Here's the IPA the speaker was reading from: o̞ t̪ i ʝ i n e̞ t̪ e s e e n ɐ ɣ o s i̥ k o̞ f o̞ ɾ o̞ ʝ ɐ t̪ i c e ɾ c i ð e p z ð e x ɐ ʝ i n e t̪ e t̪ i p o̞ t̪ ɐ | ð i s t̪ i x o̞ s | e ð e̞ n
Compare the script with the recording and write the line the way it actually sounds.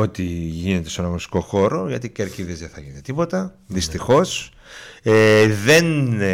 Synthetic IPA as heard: o̞ t̪ i ʝ i n e̞ t̪ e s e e n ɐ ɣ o s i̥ k o̞ x o̞ ɾ o̞ ʝ ɐ t̪ i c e ɾ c i ð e z ð e θ ɐ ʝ i n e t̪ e t̪ i p o̞ t̪ ɐ | ð i s t̪ i x o̞ s | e ð e̞ n